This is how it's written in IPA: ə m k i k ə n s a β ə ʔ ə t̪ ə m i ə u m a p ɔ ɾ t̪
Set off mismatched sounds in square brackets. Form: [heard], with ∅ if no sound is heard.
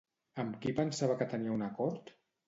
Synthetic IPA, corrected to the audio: ə m k i [p] ə n s a β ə [k] ə t̪ ə [n] i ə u [n] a [k] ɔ ɾ t̪